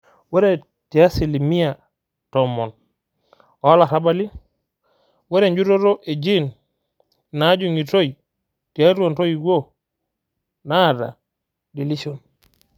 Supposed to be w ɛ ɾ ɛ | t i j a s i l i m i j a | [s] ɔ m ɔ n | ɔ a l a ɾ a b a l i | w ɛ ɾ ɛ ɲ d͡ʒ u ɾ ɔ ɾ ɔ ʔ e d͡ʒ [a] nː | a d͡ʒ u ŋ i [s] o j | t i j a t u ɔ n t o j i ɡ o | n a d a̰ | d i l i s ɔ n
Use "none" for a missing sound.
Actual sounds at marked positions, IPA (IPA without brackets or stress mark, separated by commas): t, i, t